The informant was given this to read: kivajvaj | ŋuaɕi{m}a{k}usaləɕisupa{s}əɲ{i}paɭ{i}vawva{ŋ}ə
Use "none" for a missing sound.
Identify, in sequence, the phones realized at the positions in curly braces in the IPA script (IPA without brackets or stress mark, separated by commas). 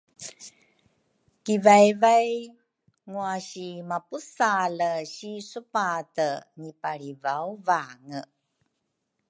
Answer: m, p, t, i, i, ŋ